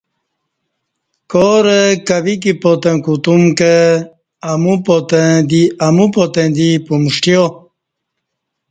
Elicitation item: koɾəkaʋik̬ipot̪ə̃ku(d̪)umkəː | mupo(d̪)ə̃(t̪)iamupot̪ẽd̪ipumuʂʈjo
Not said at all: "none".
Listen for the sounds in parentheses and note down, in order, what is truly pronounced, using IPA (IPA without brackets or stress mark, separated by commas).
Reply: t̪, t̪, d̪